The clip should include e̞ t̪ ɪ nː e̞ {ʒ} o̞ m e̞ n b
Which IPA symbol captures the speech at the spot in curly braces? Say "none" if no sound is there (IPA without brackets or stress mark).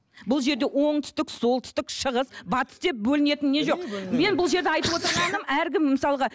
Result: ʒ